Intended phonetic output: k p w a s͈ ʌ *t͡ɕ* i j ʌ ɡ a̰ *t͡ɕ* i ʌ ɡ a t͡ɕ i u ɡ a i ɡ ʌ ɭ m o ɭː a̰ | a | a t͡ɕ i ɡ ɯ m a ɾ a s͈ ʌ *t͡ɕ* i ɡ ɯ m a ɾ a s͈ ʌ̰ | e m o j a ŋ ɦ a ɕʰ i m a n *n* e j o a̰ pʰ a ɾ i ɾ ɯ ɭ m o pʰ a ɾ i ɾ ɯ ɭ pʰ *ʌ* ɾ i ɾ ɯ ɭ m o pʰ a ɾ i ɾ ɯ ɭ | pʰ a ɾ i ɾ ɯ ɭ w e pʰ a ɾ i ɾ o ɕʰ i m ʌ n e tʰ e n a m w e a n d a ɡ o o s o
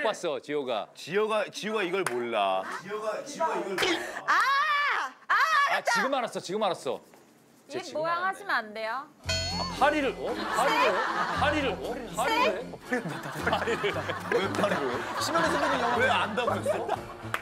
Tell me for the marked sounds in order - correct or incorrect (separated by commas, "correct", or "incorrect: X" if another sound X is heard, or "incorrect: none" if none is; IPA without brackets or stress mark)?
correct, correct, correct, incorrect: d, incorrect: a